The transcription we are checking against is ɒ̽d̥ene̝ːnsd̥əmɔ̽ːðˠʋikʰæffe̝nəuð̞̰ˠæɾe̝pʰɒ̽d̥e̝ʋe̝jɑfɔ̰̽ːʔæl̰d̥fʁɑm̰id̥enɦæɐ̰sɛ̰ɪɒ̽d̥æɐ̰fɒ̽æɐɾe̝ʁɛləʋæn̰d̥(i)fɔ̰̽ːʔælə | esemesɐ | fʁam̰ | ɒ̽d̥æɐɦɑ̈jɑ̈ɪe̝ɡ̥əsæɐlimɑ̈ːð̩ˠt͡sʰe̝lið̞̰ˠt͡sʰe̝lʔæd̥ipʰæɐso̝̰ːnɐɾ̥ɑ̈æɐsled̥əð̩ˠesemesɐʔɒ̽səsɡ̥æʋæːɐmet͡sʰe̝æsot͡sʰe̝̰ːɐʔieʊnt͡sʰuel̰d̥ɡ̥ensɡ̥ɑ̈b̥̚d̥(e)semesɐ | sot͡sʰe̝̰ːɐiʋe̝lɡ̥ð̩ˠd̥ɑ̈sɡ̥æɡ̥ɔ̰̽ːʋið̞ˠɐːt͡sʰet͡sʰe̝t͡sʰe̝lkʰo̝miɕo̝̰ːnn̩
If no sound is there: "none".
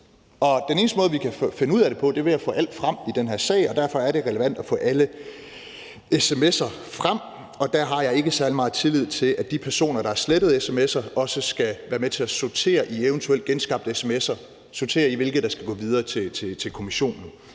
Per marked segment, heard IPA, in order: æ, e

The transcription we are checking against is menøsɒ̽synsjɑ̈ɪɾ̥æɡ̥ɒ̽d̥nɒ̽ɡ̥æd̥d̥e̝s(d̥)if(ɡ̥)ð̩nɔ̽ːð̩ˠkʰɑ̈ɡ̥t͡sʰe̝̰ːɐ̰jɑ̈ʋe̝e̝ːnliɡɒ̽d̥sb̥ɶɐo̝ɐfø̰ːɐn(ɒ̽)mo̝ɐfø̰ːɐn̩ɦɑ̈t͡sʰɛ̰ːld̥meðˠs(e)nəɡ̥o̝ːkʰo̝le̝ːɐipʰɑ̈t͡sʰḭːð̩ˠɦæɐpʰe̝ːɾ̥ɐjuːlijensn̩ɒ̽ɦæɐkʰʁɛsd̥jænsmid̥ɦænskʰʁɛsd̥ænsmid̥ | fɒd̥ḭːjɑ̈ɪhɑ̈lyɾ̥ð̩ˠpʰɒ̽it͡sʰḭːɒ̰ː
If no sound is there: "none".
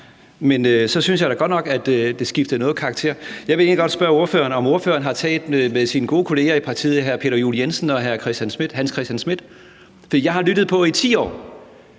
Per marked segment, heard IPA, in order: ɡ̥, d̥, ɒ̽, i

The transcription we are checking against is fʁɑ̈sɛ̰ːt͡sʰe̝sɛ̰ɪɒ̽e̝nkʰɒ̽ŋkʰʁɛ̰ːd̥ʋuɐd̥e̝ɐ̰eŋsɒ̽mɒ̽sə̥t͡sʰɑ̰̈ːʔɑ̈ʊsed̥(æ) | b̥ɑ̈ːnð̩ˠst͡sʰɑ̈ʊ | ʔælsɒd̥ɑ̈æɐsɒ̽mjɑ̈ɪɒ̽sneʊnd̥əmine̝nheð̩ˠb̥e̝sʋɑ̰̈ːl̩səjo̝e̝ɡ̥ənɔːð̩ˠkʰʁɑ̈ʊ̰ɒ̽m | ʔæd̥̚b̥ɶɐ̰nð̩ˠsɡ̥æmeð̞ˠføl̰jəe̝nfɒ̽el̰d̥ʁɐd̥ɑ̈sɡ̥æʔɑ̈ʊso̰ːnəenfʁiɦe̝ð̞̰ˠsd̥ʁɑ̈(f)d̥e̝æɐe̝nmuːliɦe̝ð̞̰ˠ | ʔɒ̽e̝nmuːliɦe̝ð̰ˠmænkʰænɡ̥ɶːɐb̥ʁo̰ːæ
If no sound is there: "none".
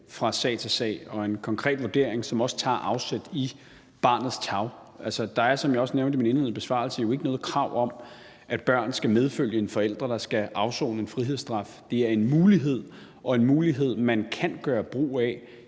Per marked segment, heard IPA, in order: i, f

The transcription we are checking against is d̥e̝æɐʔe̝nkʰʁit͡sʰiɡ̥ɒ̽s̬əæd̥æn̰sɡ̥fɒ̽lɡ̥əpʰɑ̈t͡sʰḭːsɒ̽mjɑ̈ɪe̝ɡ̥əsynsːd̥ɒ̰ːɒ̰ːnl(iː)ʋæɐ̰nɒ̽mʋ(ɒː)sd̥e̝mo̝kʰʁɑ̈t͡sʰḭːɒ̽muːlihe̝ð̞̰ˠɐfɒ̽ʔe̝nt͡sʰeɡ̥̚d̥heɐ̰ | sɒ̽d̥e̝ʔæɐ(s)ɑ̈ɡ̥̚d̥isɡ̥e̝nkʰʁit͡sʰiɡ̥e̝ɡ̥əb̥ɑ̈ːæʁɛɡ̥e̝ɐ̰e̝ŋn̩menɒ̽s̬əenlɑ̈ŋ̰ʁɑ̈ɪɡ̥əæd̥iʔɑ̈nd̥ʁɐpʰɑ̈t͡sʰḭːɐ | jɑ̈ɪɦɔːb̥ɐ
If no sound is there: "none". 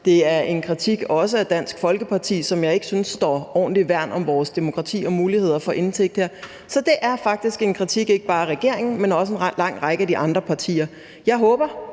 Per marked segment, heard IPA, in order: i, ɒː, f

